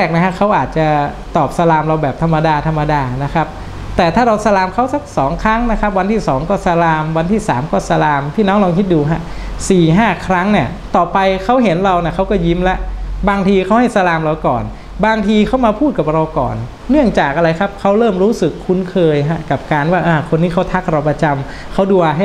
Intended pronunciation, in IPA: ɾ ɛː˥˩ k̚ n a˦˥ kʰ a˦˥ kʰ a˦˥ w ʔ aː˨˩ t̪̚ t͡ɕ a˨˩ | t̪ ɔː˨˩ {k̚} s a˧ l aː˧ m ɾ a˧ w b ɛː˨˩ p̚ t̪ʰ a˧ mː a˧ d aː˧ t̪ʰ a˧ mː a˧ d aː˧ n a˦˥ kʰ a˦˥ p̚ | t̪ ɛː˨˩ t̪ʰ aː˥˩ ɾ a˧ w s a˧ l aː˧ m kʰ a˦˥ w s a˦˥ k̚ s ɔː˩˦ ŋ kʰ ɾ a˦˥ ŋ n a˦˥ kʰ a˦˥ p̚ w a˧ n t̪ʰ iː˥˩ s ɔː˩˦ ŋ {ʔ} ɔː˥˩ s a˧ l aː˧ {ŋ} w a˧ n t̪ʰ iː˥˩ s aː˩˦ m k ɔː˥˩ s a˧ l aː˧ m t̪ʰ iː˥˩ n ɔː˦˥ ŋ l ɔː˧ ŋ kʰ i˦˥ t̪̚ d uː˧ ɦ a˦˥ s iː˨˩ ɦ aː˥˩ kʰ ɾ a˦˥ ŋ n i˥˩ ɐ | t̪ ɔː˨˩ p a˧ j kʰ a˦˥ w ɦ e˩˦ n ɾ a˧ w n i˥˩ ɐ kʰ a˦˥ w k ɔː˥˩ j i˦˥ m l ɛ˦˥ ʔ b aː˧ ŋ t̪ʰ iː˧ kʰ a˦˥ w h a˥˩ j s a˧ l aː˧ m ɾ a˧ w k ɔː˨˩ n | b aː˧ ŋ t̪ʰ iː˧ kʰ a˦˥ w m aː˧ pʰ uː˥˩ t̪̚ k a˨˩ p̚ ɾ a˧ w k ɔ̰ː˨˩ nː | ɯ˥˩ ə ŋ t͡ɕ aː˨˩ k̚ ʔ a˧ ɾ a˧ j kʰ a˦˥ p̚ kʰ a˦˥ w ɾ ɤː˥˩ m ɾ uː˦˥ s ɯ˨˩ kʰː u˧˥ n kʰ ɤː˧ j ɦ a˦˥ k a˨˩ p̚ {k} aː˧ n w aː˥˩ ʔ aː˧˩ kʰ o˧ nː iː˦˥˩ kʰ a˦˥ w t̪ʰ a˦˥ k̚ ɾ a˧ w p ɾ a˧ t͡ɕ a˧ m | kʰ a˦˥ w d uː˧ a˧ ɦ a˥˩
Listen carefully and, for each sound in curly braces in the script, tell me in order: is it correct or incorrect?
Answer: incorrect: p̚, incorrect: k, incorrect: m, correct

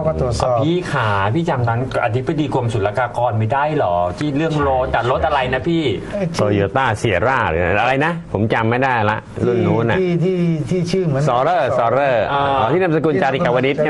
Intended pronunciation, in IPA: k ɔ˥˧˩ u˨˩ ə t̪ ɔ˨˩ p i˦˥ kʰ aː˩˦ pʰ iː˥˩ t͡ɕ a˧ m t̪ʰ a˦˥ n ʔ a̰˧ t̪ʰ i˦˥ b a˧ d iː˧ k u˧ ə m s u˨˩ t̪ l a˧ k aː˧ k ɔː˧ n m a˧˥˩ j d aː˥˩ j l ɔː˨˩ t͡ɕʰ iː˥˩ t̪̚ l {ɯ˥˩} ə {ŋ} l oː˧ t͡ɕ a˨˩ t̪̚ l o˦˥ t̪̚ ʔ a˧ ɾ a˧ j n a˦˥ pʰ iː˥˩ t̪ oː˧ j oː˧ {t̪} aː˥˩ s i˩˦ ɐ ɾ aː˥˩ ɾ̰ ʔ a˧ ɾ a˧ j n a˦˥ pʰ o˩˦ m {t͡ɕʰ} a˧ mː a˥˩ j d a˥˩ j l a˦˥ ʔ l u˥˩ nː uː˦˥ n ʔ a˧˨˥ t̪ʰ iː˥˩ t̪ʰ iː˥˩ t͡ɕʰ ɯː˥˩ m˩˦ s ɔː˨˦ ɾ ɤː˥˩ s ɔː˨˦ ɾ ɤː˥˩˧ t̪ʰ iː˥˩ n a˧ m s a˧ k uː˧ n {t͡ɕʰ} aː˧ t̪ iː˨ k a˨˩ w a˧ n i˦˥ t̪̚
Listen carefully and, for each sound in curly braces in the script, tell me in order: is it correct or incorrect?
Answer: correct, correct, correct, incorrect: t͡ɕ, incorrect: t͡ɕ

